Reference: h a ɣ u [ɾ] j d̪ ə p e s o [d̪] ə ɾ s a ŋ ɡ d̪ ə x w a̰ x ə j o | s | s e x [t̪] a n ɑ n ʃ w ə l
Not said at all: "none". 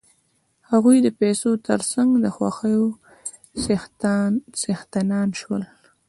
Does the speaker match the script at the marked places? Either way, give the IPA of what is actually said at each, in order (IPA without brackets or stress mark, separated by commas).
none, t̪, t̪